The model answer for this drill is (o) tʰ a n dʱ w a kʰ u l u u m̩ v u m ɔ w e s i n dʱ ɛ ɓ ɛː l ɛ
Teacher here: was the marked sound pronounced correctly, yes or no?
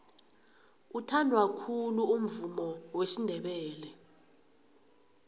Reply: no